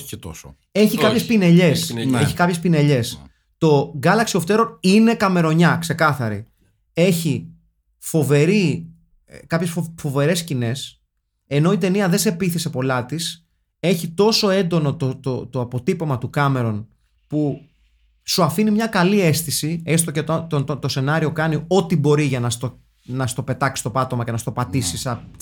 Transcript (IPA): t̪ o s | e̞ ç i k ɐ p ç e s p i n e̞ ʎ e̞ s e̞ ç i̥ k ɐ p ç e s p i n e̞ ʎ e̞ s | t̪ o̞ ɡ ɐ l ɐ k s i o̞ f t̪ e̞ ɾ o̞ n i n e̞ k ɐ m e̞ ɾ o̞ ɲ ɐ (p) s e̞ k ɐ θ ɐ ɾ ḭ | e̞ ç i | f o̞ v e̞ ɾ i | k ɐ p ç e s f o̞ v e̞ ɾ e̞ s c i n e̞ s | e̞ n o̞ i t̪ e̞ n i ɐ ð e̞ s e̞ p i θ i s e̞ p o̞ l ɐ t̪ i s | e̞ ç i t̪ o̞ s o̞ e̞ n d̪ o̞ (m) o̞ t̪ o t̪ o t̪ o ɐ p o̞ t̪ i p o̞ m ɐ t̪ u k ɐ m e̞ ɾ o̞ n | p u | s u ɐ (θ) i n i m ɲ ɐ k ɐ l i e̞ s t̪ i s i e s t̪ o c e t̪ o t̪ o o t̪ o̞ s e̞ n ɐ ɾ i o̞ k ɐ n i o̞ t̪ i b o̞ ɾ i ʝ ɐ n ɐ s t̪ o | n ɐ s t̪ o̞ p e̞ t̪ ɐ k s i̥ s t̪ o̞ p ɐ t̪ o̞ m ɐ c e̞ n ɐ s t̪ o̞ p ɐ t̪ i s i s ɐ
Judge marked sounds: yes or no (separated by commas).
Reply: no, no, no